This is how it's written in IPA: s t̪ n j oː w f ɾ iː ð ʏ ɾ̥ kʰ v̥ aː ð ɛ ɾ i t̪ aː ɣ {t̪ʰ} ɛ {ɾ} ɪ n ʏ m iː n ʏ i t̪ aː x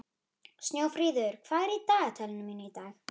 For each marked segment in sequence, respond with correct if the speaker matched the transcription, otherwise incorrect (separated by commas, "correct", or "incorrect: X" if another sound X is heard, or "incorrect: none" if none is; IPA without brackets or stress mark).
correct, incorrect: l